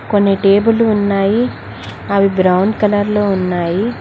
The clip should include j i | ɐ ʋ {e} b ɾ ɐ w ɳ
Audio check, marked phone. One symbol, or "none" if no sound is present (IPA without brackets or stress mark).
i